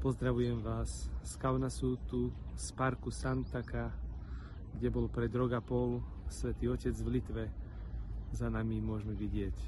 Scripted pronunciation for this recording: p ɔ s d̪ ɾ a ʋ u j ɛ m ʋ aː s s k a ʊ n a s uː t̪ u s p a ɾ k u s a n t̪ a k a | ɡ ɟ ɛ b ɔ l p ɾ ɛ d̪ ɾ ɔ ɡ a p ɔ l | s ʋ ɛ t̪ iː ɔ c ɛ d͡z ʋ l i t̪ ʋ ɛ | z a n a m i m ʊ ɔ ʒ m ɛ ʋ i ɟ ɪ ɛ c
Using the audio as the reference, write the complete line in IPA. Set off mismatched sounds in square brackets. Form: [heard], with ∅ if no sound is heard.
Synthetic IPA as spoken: p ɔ [z] d̪ ɾ a ʋ u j ɛ m ʋ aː s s k a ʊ n a s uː t̪ u s p a ɾ k u s a n t̪ a k a | ɡ ɟ ɛ b ɔ l p ɾ ɛ d̪ ɾ ɔ ɡ a p ɔ l | s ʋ ɛ t̪ iː ɔ c ɛ d͡z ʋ l i t̪ ʋ ɛ | z a n a m i m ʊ ɔ ʒ m ɛ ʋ i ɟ ɪ ɛ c